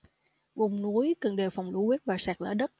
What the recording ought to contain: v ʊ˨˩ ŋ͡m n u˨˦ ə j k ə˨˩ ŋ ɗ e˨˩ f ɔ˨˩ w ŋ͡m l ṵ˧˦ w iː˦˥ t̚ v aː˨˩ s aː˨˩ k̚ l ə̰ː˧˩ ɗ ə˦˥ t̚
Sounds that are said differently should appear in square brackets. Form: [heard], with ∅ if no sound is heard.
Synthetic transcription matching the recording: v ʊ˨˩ ŋ͡m n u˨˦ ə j k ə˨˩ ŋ ɗ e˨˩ f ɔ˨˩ w ŋ͡m l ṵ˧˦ w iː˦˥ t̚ v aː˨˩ s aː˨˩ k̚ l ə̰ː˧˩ ɗ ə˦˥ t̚